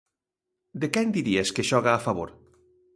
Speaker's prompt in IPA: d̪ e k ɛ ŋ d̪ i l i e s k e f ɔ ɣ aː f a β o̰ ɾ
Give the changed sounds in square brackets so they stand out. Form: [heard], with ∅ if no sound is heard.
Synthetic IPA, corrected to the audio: d̪ e k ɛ [n] d̪ i [ɾ] i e s k e [ʃ] ɔ ɣ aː f a β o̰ ɾ